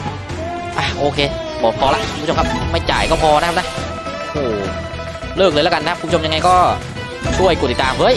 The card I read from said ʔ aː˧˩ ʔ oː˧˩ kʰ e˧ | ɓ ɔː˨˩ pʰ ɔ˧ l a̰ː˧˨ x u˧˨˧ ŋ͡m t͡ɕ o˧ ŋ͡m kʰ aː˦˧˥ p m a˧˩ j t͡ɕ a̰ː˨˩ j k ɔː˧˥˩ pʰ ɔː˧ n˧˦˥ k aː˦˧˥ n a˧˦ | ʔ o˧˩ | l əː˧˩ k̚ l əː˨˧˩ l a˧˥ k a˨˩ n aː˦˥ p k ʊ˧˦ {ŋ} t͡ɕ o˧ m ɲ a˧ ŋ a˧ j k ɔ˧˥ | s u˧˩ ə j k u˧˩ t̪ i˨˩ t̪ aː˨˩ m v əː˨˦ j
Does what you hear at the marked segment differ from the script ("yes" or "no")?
yes